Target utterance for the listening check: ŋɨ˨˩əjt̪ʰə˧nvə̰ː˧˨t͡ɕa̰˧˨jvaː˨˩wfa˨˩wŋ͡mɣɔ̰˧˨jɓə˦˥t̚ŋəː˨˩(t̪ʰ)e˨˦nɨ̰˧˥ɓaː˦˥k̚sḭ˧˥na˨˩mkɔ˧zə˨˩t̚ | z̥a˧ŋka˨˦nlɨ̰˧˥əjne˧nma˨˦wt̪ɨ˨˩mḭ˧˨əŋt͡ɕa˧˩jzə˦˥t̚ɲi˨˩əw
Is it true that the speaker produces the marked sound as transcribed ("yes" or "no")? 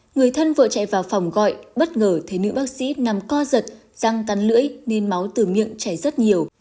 yes